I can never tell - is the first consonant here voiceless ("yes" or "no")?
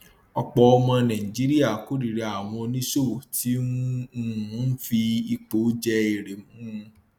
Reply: yes